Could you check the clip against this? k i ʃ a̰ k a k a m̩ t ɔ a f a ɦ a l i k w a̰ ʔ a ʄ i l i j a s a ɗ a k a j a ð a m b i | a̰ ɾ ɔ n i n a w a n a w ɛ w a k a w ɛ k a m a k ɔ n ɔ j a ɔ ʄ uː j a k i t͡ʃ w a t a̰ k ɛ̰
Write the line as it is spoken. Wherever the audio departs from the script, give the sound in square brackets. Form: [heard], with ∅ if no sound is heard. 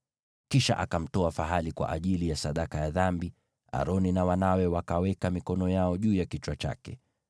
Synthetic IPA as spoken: k i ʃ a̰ [ʔ] a k a m̩ t ɔ a f a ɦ a l i k w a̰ ʔ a ʄ i l i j a s a ɗ a k a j a ð a m b i | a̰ ɾ ɔ n i n a w a n a w ɛ w a k a w ɛ k a m [i] k ɔ n ɔ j a ɔ ʄ uː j a k i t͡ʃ w a [t͡ʃ] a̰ k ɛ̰

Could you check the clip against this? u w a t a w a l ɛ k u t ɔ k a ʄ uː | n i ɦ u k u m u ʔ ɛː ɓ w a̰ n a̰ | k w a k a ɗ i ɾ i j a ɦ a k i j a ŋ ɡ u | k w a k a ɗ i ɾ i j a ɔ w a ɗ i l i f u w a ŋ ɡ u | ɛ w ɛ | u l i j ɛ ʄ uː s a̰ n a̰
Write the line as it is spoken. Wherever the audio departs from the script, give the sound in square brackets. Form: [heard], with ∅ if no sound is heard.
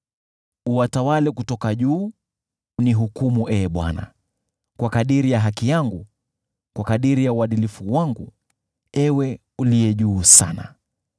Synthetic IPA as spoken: u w a t a w a l ɛ k u t ɔ k a ʄ uː | n i ɦ u k u m u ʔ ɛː ɓ w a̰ n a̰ | k w a k a ɗ i ɾ i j a ɦ a k i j a ŋ ɡ u | k w a k a ɗ i ɾ i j a [u] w a ɗ i l i f u w a ŋ ɡ u | ɛ w ɛ | u l i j ɛ ʄ uː s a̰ n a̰

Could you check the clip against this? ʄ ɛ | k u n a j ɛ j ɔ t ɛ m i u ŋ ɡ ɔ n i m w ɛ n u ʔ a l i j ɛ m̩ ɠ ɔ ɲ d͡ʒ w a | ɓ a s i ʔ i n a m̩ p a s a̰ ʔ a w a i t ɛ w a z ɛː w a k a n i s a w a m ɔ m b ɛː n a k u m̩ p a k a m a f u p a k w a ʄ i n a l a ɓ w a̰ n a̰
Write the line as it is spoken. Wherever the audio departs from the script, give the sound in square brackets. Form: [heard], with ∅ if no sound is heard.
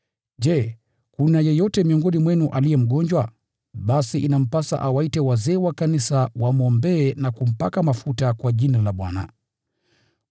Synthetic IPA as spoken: ʄ ɛ | k u n a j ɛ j ɔ t ɛ m i [ɔ] ŋ ɡ ɔ n i m w ɛ n u ʔ a l i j ɛ m̩ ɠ ɔ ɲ d͡ʒ w a | ɓ a s i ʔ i n a m̩ p a s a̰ ʔ a w a i t ɛ w a z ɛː w a k a n i s a w a m ɔ m b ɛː n a k u m̩ p a k a m a f u [t] a k w a ʄ i n a l a ɓ w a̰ n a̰

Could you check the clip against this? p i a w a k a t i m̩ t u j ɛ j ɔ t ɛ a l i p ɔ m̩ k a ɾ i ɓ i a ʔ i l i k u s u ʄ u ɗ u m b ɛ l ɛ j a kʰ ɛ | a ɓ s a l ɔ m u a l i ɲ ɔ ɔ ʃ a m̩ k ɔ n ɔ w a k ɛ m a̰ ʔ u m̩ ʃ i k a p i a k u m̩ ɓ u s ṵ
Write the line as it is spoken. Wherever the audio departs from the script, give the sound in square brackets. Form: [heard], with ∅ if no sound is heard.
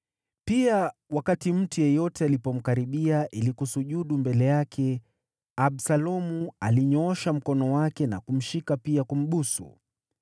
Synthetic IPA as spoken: p i a w a k a t i m̩ t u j ɛ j ɔ t ɛ a l i p ɔ m̩ k a ɾ i ɓ i a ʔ i l i k u s u ʄ u ɗ u m b ɛ l ɛ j a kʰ ɛ | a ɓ s a l ɔ m u a l i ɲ ɔ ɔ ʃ a m̩ k ɔ n ɔ w a k ɛ [n] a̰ [k] u m̩ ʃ i k a p i a k u m̩ ɓ u s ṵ

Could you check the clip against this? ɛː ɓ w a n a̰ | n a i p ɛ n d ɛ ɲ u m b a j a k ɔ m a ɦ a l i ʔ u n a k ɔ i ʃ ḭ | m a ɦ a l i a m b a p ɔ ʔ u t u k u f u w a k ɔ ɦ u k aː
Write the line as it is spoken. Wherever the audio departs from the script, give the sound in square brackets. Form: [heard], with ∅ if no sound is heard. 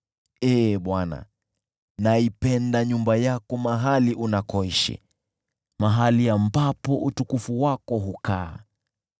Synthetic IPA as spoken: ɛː ɓ w a n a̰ | n a i p ɛ n d [a] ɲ u m b a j a k ɔ m a ɦ a l i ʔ u n a k ɔ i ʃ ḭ | m a ɦ a l i a m b a p ɔ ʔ u t u k u f u w a k ɔ ɦ u k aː

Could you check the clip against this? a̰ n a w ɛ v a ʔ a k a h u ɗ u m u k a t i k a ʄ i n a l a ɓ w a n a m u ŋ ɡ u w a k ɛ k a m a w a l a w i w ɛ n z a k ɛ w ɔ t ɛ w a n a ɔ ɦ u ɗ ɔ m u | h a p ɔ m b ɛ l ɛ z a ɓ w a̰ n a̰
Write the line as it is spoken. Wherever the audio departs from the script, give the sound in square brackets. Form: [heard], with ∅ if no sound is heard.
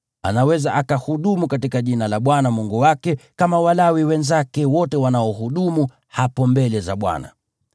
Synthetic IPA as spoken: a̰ n a w ɛ [z] a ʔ a k a h u ɗ u m u k a t i k a ʄ i n a l a ɓ w a n a m u ŋ ɡ u w a k ɛ k a m a w a l a w i w ɛ n z a k ɛ w ɔ t ɛ w a n a ɔ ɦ u ɗ [u] m u | h a p ɔ m b ɛ l ɛ z a ɓ w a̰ n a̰

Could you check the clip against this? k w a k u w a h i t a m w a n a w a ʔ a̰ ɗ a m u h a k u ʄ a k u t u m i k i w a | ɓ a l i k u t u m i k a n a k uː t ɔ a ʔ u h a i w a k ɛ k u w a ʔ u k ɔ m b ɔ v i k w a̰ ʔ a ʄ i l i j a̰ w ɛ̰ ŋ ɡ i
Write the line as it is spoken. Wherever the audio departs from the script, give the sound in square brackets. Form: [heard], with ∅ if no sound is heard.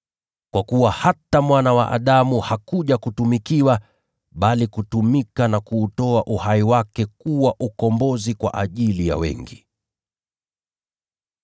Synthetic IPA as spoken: k w a k u w a h [a] t a m w a n a w a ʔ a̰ ɗ a m u h a k u ʄ a k u t u m i k i w a | ɓ a l i k u t u m i k a n a k uː t ɔ a ʔ u h a i w a k ɛ k u w a ʔ u k ɔ m b ɔ [z] i k w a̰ ʔ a ʄ i l i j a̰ w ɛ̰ ŋ ɡ i

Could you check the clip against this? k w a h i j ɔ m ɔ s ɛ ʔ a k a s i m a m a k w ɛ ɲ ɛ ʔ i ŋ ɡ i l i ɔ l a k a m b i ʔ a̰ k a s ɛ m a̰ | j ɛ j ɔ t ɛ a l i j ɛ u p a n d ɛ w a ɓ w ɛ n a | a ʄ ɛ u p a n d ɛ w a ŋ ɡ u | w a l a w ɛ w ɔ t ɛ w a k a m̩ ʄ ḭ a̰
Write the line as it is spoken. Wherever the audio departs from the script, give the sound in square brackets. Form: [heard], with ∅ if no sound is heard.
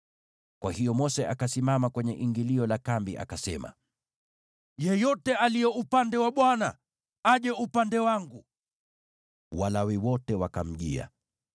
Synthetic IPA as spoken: k w a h i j ɔ m ɔ s ɛ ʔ a k a s i m a m a k w ɛ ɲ ɛ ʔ i ŋ ɡ i l i ɔ l a k a m b i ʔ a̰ k a s ɛ m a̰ | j ɛ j ɔ t ɛ a l i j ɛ u p a n d ɛ w a ɓ w [a] n a | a ʄ ɛ u p a n d ɛ w a ŋ ɡ u | w a l a w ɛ w ɔ t ɛ w a k a m̩ ʄ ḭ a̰

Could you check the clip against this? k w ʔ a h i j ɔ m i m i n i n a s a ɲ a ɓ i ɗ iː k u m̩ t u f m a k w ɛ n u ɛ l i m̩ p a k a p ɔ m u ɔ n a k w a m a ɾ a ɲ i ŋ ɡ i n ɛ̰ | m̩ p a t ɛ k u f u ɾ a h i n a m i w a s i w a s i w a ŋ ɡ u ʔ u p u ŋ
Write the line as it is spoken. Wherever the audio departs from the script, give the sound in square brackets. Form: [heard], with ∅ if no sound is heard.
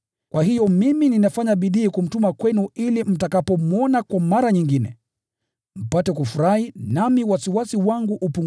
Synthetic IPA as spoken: k w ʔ a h i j ɔ m i m i n i n a [f] a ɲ a ɓ i ɗ iː k u m̩ t u [∅] m a k w ɛ n u [i] l i m̩ [t] a k a p ɔ m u ɔ n a k w a m a ɾ a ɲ i ŋ ɡ i n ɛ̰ | m̩ p a t ɛ k u f u ɾ a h i n a m i w a s i w a s i w a ŋ ɡ u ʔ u p u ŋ

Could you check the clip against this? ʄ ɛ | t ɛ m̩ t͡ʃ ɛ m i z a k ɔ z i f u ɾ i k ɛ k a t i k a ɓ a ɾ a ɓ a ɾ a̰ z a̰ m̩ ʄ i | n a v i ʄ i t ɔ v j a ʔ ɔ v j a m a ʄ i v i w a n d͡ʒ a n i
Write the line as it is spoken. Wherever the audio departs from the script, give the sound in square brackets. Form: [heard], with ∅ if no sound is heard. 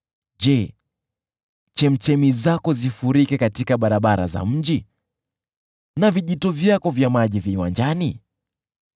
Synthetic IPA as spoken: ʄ ɛ | [t͡ʃ] ɛ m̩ t͡ʃ ɛ m i z a k ɔ z i f u ɾ i k ɛ k a t i k a ɓ a ɾ a ɓ a ɾ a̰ z a̰ m̩ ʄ i | n a v i ʄ i t ɔ v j a [k] ɔ v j a m a ʄ i v i w a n d͡ʒ a n i

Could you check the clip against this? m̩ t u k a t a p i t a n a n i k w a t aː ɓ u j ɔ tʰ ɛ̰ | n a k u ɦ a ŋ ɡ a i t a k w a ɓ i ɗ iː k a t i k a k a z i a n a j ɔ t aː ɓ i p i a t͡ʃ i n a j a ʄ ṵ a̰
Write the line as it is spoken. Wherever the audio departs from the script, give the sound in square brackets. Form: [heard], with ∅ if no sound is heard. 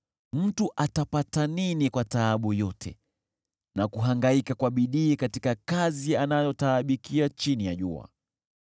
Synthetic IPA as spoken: m̩ t u [ʔ] a t a p [a] t a n [i] n i k w a t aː ɓ u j ɔ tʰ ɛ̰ | n a k u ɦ a ŋ ɡ a i [k] a k w a ɓ i ɗ iː k a t i k a k a z i a n a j ɔ t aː ɓ i [k] i a t͡ʃ i n [i] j a ʄ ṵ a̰

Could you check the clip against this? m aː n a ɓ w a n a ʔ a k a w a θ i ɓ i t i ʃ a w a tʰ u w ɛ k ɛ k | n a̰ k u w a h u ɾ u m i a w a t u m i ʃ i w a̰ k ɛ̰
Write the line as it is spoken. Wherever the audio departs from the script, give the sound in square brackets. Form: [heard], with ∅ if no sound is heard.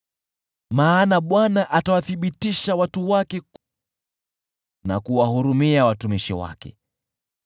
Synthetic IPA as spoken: m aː n a ɓ w a n a ʔ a [t] a w a θ i ɓ i t i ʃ a w a [t] u w [a] k ɛ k | n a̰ k u w a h u ɾ u m i a w a t u m i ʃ i w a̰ k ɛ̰

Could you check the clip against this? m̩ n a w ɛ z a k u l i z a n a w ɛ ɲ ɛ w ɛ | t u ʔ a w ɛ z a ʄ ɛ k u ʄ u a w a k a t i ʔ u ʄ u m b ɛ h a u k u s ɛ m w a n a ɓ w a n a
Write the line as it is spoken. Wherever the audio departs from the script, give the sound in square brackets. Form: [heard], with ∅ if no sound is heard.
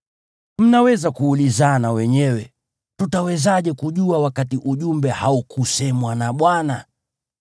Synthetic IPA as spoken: m̩ n a w ɛ z a k [uː] l i z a n a w ɛ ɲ ɛ w ɛ | t u [t] a w ɛ z a ʄ ɛ k u ʄ u a w a k a t i ʔ u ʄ u m b ɛ h a u k u s ɛ m w a n a ɓ w a n a

